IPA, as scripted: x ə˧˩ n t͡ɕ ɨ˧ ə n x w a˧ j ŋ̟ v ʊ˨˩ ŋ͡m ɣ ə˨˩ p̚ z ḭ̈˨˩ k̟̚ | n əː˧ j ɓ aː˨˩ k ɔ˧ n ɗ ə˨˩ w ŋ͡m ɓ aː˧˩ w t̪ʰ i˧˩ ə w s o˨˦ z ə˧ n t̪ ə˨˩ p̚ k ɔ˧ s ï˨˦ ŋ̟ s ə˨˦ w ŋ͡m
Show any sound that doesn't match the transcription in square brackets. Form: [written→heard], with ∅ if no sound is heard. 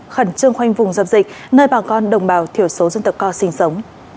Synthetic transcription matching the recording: x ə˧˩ n t͡ɕ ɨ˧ ə [n→ŋ] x w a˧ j ŋ̟ v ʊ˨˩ ŋ͡m [ɣ→z] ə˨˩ p̚ z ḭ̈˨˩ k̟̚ | n əː˧ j ɓ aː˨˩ k ɔ˧ n ɗ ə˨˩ w ŋ͡m ɓ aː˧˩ w t̪ʰ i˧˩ ə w s o˨˦ z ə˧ n t̪ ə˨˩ p̚ k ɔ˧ s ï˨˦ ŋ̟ s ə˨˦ w ŋ͡m